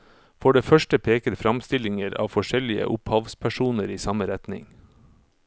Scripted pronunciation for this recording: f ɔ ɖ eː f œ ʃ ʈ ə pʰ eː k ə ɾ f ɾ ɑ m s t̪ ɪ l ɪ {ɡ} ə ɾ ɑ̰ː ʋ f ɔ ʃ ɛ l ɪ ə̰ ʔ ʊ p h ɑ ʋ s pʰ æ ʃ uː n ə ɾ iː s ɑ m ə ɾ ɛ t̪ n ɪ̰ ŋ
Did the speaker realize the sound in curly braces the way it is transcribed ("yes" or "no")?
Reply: no